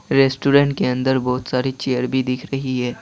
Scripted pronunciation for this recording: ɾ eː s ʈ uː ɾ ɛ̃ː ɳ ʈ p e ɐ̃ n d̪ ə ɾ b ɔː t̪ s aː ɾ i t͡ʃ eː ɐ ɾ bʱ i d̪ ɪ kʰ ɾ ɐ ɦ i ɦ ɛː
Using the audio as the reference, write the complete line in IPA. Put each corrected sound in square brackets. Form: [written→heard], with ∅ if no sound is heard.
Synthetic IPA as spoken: ɾ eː s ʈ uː ɾ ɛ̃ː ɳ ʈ [p→k] e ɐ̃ n d̪ ə ɾ b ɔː t̪ s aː ɾ i t͡ʃ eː [ɐ→ə] ɾ bʱ i d̪ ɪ kʰ ɾ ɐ ɦ i ɦ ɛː

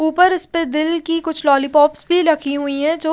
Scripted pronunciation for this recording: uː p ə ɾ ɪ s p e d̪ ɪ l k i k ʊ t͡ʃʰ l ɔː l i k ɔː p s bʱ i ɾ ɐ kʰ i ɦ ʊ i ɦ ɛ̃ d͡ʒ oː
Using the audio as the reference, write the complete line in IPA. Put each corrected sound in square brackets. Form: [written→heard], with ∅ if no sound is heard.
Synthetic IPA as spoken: uː p ə ɾ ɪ s p e d̪ ɪ l k i k ʊ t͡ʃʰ l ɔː l i [k→p] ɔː p s bʱ i ɾ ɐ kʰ i ɦ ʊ i ɦ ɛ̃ d͡ʒ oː

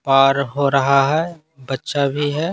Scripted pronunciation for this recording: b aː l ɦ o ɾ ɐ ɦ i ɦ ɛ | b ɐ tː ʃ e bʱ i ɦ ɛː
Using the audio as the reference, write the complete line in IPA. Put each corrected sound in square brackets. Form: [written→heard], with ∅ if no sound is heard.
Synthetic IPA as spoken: [b→p] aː [l→ɾ] ɦ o ɾ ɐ ɦ [i→a] ɦ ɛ | b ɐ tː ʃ [e→a] bʱ i ɦ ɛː

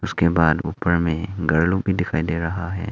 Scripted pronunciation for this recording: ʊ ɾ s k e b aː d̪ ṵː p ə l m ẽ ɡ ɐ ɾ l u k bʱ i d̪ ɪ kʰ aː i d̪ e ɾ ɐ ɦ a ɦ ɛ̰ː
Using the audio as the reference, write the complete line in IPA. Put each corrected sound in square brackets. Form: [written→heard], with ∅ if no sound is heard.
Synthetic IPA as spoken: ʊ [ɾ→∅] s k e b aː d̪ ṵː p ə [l→ɾ] m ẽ ɡ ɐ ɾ l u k bʱ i d̪ ɪ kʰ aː i d̪ e ɾ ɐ ɦ a ɦ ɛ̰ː

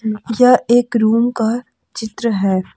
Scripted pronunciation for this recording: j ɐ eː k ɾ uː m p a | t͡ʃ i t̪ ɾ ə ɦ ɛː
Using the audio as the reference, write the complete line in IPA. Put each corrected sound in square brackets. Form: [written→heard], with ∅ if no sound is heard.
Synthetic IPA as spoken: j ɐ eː k ɾ uː m [p→k] a | t͡ʃ [i→ɪ] t̪ ɾ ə ɦ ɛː

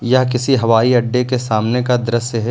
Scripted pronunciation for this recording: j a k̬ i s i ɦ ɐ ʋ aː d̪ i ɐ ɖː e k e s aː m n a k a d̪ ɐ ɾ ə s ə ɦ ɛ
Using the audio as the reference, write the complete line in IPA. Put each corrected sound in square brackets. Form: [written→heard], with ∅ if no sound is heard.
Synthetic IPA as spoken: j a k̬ [i→ɪ] s i ɦ ɐ ʋ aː [d̪→∅] i ɐ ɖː e k e s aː m n [a→e] k a d̪ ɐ ɾ ə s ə ɦ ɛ

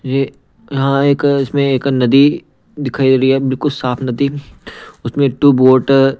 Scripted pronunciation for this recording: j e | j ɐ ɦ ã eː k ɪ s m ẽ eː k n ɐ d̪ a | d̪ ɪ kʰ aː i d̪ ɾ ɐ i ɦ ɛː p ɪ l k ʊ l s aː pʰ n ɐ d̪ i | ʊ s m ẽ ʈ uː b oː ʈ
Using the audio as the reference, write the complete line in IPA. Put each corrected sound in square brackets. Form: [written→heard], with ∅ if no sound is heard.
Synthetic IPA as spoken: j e | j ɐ ɦ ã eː k ɪ s m ẽ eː k n ɐ d̪ [a→i] | d̪ ɪ kʰ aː i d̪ ɾ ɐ i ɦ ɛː [p→b] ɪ l k ʊ l s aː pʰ n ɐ d̪ i | ʊ s m ẽ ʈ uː b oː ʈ

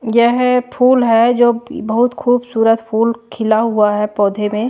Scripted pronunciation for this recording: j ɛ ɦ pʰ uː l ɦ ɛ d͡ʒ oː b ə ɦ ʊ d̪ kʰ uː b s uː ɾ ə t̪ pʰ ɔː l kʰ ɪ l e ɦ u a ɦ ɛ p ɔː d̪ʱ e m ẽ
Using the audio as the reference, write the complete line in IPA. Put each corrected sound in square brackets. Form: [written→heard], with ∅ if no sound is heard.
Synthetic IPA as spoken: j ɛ ɦ pʰ uː l ɦ ɛ d͡ʒ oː b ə ɦ ʊ [d̪→t̪] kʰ uː b s uː ɾ ə t̪ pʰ [ɔː→uː] l kʰ ɪ l [e→a] ɦ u a ɦ ɛ p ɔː d̪ʱ e m ẽ

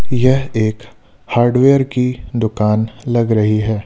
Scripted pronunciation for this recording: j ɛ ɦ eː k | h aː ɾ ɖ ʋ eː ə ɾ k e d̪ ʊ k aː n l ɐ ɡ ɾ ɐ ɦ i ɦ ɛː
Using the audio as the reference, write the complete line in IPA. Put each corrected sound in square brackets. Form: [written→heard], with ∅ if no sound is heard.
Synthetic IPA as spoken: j ɛ ɦ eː k | h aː ɾ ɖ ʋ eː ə ɾ k [e→i] d̪ ʊ k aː n l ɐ ɡ ɾ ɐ ɦ i ɦ ɛː

